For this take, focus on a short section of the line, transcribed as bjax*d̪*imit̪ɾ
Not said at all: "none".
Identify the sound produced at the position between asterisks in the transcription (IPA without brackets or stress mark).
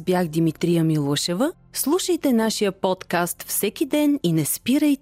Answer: d̪